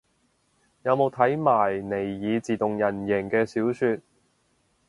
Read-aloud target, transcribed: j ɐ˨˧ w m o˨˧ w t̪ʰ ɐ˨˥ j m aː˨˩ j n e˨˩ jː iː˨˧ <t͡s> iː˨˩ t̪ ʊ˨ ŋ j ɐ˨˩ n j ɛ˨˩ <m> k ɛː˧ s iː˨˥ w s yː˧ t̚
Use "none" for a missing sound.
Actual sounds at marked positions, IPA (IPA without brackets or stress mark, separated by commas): t͡s, ŋ